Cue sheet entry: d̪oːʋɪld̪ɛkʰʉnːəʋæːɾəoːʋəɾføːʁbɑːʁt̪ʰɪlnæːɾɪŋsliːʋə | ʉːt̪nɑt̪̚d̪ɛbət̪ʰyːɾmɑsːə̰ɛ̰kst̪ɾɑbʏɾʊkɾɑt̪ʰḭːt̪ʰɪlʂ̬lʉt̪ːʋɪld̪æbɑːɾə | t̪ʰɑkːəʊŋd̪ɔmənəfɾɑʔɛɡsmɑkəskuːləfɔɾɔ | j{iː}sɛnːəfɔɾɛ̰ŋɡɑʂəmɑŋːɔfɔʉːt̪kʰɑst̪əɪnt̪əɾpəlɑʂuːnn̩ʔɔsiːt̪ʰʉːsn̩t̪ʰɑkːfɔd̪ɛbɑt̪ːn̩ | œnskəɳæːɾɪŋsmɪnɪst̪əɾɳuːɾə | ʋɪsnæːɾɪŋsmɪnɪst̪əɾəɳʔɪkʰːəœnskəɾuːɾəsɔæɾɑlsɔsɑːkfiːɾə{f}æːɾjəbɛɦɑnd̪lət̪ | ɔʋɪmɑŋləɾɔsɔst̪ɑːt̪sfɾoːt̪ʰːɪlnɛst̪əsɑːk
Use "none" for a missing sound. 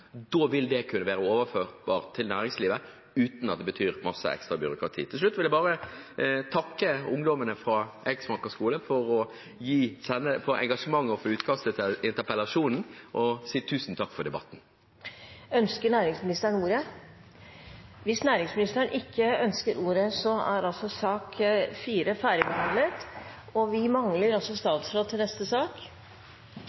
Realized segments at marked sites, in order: iː, f

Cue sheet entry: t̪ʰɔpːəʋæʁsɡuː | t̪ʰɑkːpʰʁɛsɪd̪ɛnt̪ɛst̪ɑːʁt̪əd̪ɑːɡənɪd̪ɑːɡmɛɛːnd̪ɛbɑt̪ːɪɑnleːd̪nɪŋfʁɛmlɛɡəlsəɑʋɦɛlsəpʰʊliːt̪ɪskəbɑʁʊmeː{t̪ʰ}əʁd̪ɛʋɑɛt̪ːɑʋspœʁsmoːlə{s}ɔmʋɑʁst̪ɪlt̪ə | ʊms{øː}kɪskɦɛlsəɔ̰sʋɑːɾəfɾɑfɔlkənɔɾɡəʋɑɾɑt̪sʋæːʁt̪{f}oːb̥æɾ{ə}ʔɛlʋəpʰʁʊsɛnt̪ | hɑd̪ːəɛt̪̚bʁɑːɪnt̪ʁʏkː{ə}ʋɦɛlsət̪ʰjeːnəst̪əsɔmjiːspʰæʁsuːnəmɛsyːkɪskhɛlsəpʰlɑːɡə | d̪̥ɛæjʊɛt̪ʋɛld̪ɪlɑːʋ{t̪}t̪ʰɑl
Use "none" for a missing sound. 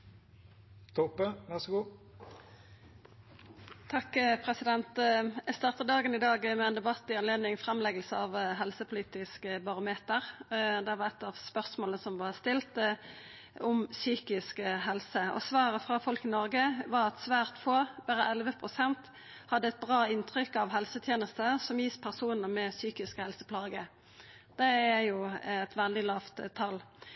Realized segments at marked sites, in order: t̪, s, yː, f, ə, ɑ, t̪

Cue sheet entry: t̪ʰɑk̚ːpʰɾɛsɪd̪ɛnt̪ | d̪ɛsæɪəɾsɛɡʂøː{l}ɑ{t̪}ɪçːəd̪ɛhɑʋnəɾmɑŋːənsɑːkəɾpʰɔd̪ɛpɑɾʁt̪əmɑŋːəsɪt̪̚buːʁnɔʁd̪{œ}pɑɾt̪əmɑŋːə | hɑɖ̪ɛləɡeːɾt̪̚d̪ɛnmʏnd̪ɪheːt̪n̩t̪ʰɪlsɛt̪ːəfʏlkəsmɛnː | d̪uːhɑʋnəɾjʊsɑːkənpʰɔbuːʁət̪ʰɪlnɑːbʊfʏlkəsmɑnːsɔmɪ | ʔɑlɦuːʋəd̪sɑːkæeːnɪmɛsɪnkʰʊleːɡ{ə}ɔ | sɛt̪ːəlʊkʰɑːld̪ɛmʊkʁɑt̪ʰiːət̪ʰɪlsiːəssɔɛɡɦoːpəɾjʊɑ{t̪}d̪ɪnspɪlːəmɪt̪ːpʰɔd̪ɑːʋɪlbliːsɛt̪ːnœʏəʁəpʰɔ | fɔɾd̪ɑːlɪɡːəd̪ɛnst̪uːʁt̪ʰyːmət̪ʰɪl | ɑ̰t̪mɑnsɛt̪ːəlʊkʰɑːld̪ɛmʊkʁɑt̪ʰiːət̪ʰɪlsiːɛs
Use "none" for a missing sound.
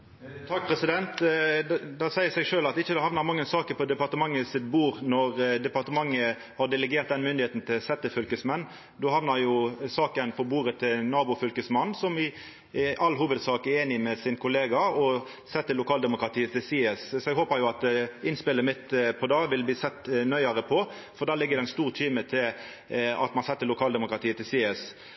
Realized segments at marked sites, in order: l, t̪, ɛ, ɑ, t̪

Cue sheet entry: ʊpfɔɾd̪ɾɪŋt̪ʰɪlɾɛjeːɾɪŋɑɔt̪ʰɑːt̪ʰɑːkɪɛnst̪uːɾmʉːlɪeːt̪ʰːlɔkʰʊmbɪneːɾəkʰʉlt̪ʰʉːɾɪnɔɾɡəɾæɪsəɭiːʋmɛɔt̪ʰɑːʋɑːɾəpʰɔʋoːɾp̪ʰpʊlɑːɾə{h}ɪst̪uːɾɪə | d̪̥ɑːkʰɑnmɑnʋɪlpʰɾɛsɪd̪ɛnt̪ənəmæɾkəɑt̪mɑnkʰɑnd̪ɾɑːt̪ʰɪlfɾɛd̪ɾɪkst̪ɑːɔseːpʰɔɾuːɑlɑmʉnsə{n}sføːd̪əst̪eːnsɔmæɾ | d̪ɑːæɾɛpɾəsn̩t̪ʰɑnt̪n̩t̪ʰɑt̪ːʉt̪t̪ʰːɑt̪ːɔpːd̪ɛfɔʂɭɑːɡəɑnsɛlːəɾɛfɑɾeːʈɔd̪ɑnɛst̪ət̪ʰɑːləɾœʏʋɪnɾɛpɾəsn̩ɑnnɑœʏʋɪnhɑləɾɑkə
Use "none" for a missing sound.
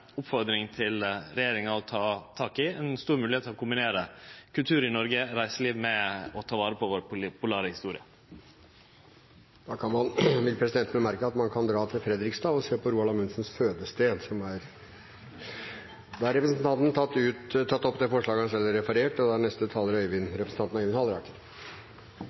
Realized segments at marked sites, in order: h, n

